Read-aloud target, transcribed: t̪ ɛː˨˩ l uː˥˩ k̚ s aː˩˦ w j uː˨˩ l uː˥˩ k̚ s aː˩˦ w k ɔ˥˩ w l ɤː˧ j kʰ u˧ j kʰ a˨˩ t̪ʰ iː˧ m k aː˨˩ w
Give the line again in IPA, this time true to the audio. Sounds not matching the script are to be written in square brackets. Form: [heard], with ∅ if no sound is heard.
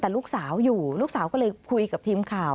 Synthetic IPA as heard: t̪ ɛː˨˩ l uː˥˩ k̚ s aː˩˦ w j uː˨˩ l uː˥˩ k̚ s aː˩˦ w k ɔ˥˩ [∅] l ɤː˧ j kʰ u˧ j [k] a˨˩ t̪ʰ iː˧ m [kʰ] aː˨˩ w